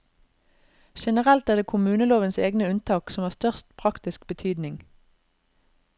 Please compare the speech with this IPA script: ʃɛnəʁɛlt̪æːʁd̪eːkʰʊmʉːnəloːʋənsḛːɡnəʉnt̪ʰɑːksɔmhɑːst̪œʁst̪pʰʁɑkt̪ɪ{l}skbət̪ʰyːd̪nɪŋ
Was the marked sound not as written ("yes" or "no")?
yes